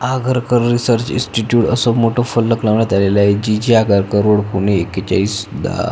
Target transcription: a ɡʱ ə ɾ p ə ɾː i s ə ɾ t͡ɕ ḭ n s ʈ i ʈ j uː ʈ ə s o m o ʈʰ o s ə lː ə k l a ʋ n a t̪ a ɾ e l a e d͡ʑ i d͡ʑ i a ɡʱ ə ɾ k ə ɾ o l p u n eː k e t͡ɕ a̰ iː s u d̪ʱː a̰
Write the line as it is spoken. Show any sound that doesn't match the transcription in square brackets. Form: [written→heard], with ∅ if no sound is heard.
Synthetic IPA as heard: a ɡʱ ə ɾ [p→k] ə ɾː i s ə ɾ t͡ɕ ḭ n s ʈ i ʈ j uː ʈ ə s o m o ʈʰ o [s→f] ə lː ə k l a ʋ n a t̪ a [ɾ→l] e l a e d͡ʑ i d͡ʑ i a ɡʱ ə ɾ k ə ɾ o [l→ɽ] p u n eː k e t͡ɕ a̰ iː s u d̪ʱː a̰